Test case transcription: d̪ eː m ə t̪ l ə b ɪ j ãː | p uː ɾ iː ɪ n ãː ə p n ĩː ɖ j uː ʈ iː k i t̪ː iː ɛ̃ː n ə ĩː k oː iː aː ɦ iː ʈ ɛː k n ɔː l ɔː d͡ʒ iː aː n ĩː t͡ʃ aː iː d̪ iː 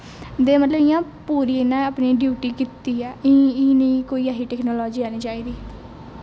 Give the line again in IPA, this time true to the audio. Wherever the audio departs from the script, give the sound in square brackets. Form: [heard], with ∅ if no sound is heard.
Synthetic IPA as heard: d̪ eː m ə t̪ l ə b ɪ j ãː | p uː ɾ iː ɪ n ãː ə p n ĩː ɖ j uː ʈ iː k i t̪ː iː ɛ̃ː n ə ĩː k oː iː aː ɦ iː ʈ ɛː k n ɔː l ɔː d͡ʒ iː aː n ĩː t͡ʃ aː iː d̪ iː